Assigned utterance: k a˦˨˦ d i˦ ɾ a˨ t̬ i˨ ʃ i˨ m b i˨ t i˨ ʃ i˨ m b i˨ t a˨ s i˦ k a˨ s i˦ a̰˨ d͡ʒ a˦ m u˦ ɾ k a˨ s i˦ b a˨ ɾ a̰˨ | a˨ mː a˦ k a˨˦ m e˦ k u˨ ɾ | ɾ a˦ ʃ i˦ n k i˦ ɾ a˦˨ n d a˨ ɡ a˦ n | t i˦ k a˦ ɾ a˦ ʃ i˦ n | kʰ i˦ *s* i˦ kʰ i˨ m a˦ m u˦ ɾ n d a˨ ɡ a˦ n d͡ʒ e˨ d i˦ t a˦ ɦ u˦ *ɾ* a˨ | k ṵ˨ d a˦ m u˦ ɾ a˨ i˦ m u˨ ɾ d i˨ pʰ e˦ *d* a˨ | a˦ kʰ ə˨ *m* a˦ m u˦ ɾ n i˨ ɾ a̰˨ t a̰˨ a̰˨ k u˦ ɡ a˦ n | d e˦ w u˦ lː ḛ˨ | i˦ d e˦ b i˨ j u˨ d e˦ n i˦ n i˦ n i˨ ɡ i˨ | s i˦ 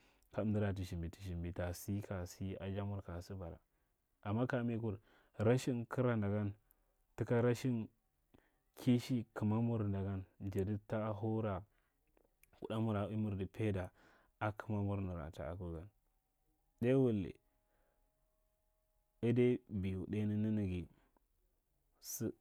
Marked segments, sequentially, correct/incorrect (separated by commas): incorrect, correct, correct, correct